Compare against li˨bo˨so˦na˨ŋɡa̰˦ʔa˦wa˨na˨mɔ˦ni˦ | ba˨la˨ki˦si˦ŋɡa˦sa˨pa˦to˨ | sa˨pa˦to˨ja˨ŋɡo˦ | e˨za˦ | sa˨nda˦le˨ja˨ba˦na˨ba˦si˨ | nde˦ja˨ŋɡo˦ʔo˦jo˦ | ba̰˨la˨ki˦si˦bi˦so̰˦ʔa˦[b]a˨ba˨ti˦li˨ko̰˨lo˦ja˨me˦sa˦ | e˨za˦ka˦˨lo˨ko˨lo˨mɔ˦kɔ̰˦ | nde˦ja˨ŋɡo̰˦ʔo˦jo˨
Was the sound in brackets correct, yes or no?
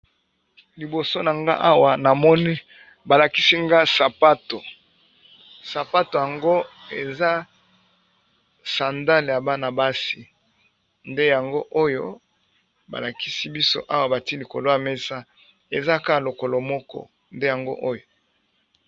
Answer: no